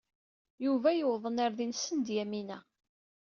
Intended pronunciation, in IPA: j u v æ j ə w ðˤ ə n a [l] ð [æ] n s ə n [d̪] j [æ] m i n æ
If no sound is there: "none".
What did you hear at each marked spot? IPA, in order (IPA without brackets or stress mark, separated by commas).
ɾ, i, d̪, æ